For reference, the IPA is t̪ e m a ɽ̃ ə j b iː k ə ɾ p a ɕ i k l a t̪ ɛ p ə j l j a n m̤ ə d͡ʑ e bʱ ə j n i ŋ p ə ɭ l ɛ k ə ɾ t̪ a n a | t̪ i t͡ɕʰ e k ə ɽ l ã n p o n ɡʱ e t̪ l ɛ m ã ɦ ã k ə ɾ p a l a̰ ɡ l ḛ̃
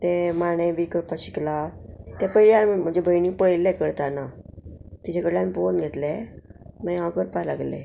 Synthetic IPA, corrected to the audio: t̪ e m a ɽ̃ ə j b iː k ə ɾ p a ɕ i k l a t̪ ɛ p ə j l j a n m̤ ə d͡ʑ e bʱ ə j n i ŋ p ə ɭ l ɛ k ə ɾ t̪ a n a | t̪ i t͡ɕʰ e k ə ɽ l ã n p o n ɡʱ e t̪ l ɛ m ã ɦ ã k ə ɾ p a l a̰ ɡ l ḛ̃